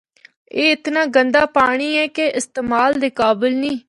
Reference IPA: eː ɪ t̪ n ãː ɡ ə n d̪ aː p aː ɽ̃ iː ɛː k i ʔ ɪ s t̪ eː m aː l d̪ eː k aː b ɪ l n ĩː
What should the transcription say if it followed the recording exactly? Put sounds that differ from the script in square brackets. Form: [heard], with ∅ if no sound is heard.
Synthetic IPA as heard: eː ɪ t̪ n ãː ɡ ə n d̪ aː p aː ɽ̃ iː ɛː k [e] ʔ ɪ s t̪ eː m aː l d̪ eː k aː b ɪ l n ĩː